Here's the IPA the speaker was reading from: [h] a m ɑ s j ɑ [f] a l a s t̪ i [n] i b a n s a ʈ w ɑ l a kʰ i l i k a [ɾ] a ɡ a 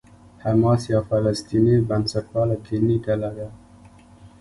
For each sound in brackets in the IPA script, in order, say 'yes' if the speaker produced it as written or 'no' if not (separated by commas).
yes, yes, yes, no